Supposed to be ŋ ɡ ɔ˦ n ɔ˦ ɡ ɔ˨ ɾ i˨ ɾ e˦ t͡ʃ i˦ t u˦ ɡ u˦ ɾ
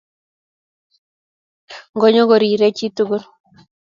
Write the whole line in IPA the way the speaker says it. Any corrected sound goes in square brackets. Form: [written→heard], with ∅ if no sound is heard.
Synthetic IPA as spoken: ŋ ɡ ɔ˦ [n→ɲ] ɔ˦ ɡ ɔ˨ ɾ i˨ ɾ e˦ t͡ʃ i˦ t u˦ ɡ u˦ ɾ